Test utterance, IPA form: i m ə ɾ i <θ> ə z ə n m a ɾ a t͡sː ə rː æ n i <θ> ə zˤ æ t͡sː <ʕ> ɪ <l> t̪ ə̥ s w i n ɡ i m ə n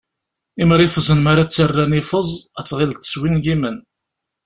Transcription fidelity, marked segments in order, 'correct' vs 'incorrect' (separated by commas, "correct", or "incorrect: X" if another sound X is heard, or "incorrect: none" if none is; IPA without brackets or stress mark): incorrect: f, incorrect: f, incorrect: ʁ, correct